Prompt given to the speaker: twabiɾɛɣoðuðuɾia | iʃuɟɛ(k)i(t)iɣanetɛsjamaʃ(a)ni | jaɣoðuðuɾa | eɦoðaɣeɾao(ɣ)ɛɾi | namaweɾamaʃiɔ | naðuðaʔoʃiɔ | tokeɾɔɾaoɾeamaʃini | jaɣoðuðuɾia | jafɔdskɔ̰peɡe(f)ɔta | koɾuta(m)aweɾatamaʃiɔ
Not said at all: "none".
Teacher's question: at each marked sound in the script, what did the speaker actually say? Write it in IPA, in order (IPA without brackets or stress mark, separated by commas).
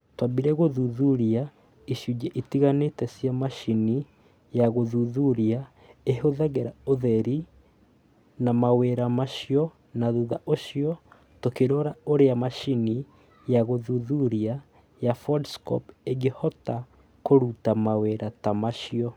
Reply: ʔ, t, i, ð, h, m